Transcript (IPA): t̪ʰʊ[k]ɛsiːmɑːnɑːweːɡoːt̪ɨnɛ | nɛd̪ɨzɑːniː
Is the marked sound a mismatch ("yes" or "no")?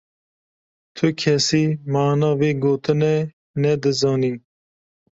yes